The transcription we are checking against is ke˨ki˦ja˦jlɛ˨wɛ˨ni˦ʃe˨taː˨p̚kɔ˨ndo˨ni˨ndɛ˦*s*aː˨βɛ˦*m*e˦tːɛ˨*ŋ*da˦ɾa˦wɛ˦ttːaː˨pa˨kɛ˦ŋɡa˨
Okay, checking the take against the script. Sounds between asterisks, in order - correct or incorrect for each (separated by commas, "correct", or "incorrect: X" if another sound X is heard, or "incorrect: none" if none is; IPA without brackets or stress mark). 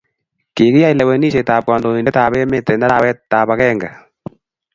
incorrect: t, correct, incorrect: n